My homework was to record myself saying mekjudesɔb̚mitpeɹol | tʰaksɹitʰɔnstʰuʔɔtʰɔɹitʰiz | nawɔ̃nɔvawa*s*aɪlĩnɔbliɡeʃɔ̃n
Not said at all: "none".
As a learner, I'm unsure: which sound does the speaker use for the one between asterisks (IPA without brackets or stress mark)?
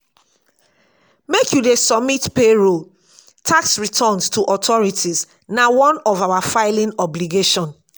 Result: f